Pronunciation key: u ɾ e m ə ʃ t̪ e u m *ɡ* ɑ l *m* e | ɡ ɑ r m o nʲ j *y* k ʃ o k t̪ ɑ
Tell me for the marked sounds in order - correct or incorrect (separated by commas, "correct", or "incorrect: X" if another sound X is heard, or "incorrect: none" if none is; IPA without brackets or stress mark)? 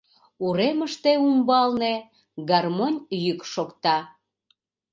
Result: incorrect: b, incorrect: n, correct